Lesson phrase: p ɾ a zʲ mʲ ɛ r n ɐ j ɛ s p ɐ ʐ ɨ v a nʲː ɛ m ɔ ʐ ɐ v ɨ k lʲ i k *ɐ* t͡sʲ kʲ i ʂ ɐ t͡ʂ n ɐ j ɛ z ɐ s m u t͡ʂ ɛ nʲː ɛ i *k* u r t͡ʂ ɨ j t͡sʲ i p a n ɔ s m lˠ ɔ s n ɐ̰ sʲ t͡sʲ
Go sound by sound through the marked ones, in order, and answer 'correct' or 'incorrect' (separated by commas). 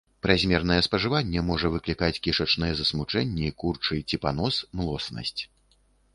incorrect, correct